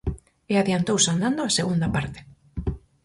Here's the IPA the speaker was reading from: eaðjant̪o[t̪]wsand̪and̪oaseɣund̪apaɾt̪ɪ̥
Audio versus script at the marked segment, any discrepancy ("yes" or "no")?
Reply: yes